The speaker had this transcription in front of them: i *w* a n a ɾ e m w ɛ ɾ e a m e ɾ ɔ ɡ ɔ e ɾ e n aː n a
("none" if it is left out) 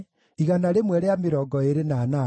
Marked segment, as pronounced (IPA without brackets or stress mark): ɣ